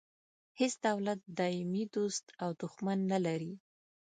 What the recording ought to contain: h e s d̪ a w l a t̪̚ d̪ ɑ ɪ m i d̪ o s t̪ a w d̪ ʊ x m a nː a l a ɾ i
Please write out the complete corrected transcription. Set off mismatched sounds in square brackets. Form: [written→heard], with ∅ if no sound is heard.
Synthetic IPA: h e s d̪ a w l a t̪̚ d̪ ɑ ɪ m i d̪ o s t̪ a w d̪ ʊ x m a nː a l a ɾ i

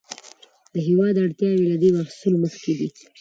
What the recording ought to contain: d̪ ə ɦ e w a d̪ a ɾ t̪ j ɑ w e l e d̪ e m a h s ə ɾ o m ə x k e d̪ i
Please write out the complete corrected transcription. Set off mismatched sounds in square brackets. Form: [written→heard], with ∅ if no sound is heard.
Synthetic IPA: d̪ ə ɦ e w [a→ɑ] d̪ a [ɾ→ɽ] t̪ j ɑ w e l [e→a] d̪ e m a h s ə [ɾ→l] o m ə x k e d̪ i

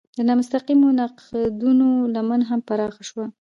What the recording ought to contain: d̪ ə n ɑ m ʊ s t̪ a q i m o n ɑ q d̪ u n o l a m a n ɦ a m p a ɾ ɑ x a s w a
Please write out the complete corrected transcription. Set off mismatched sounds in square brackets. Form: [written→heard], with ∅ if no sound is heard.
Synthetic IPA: d̪ ə n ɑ m ʊ s t̪ a q i m o n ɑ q d̪ u n o l a m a n ɦ a m p a ɾ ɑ x a [s→ʃ] w a

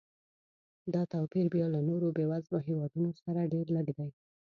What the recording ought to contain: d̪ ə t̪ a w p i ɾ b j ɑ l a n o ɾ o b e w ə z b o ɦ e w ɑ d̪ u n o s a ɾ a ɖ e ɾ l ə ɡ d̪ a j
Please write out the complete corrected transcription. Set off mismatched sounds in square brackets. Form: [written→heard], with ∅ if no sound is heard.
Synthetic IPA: d̪ [ə→ɑ] t̪ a w p i ɾ b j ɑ l a n o ɾ o b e w [ə→a] z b o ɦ e w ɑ d̪ u n o s a ɾ a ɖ e ɾ l ə ɡ d̪ a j

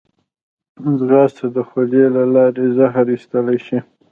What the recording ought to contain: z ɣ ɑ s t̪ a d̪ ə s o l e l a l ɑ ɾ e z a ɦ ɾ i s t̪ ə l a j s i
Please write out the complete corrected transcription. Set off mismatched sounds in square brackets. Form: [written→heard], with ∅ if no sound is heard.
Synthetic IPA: z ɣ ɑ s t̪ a d̪ ə [s→x] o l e l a l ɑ ɾ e z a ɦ ɾ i s t̪ ə l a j [s→ʃ] i

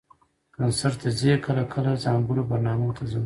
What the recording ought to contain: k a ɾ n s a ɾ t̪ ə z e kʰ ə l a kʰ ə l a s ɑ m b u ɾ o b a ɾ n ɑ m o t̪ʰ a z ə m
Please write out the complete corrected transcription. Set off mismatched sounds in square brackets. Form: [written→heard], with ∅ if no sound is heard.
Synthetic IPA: k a [ɾ→∅] n s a ɾ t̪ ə z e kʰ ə l a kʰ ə l a [s→z] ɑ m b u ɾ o b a ɾ n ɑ m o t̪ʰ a z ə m

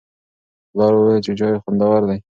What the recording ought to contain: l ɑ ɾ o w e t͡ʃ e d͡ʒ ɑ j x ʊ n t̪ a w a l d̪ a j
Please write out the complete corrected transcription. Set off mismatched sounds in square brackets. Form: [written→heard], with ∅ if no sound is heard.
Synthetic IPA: l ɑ ɾ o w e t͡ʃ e d͡ʒ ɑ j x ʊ n [t̪→d̪] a w a [l→ɾ] d̪ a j

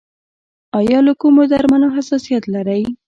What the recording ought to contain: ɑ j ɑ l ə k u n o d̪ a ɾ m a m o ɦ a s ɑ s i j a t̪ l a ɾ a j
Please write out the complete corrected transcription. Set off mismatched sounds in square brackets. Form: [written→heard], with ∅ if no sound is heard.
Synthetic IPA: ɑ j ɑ l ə k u [n→m] o d̪ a ɾ m a [m→n] o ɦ a s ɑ s i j a t̪ l a ɾ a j

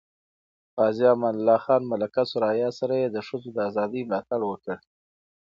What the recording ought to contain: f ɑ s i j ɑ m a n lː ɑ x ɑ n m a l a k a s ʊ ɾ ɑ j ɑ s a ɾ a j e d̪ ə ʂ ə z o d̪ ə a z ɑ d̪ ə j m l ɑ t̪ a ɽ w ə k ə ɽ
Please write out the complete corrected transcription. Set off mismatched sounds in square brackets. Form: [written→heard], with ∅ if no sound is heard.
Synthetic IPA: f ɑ [s→z] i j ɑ m a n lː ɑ x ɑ n m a l a k a s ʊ ɾ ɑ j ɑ s a ɾ a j e d̪ ə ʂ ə z o d̪ ə a z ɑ d̪ ə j m l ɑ t̪ a ɽ w ə k ə ɽ

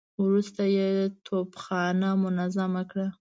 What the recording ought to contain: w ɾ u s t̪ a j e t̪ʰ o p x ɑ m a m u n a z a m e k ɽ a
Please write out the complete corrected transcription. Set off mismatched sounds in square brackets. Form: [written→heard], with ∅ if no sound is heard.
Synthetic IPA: w ɾ u s t̪ a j e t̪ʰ o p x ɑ [m→n] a m [u→ʊ] n a z a m [e→a] k ɽ a

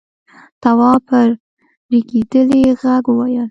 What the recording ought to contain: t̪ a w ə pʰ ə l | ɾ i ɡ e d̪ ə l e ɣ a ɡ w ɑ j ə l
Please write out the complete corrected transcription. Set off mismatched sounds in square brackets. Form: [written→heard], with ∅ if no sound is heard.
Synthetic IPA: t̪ a w [ə→ɑ] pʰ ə [l→ɾ] | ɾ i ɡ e d̪ ə l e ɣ a ɡ w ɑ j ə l

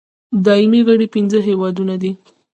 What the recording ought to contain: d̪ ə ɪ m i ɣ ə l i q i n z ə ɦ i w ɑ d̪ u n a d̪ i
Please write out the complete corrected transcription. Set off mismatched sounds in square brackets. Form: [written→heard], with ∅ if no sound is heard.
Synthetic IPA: d̪ [ə→ɑ] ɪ m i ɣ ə [l→ɽ] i [q→p] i n z ə ɦ [i→e] w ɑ d̪ u n a d̪ i

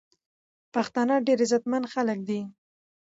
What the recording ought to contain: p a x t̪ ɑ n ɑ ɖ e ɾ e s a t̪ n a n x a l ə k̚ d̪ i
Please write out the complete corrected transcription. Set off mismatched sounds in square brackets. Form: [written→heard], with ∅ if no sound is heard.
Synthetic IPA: p a x t̪ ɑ n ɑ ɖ e ɾ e [s→z] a t̪ [n→m] a n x a l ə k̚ d̪ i

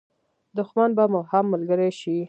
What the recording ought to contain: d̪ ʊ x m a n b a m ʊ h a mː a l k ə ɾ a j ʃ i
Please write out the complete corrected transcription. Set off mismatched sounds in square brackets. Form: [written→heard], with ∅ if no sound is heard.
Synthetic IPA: d̪ ʊ x m a n b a m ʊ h a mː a l [k→ɡ] ə ɾ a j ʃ i

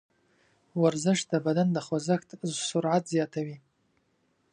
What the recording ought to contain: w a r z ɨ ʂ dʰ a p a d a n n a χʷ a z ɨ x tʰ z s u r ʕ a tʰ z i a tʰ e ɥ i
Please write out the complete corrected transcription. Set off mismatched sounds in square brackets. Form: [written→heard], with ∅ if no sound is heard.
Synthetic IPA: w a r z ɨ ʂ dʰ a [p→b] a d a n [n→d] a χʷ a z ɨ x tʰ z s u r ʕ a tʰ z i a tʰ [e→a] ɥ i

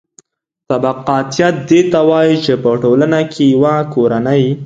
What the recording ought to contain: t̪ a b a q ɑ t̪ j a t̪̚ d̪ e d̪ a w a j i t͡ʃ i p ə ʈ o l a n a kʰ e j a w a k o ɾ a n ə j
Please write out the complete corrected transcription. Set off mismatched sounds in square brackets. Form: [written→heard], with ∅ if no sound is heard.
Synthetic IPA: t̪ a b a q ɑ t̪ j a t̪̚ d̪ e [d̪→t̪] a w [a→ɑ] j i t͡ʃ [i→e] p ə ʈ o l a n a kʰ e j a w a k o ɾ a n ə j

